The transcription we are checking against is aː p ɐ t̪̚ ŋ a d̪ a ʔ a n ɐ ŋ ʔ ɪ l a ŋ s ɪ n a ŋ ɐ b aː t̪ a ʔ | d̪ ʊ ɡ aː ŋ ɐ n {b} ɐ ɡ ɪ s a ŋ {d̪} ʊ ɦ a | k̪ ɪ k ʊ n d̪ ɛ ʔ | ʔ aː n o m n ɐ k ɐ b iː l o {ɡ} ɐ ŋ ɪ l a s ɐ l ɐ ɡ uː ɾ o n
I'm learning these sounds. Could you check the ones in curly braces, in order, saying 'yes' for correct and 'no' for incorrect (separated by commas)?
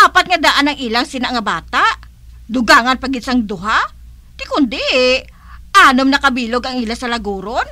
no, yes, yes